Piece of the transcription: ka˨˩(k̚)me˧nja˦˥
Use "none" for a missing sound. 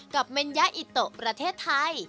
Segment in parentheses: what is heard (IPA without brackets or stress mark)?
p̚